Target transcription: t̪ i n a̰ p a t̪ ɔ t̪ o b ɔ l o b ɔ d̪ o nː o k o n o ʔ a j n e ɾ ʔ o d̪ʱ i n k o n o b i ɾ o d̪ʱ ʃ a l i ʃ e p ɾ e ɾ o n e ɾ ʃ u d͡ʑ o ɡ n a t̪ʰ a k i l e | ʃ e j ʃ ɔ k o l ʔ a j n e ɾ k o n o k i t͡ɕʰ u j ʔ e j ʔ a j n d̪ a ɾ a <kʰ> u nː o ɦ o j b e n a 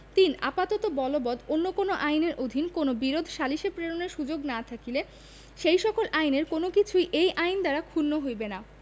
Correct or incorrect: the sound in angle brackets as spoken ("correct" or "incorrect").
correct